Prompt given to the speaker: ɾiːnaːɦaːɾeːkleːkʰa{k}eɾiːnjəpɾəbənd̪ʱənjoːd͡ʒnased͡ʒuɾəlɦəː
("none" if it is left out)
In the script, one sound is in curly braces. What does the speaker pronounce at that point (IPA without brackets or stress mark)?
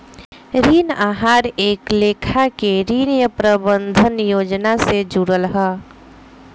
k